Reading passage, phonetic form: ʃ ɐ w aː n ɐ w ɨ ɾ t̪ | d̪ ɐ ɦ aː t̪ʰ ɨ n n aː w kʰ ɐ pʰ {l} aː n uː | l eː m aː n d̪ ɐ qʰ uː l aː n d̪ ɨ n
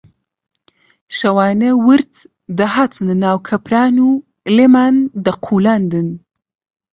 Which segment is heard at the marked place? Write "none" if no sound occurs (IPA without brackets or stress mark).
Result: ɾ